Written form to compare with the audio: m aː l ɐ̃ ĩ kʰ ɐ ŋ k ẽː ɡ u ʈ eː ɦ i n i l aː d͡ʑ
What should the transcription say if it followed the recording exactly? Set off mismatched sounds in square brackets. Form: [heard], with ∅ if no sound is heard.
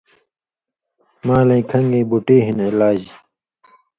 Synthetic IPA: m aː l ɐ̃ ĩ kʰ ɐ ŋ [ɡ] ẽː [b] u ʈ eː ɦ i n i l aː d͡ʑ